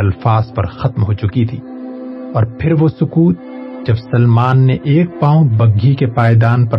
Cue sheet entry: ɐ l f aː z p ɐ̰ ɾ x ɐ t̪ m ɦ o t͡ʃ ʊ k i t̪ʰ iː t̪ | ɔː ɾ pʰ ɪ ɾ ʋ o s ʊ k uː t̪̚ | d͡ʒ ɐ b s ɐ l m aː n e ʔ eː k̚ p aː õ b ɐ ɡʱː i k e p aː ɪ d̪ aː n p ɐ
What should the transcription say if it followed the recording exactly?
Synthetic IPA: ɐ l f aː z p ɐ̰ ɾ x ɐ t̪ m ɦ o t͡ʃ ʊ k i t̪ʰ iː | ɔː ɾ pʰ ɪ ɾ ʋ o s ʊ k uː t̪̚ | d͡ʒ ɐ b s ɐ l m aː nː e ʔ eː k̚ p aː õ b ɐ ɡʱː i k e p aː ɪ d̪ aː n p ɐ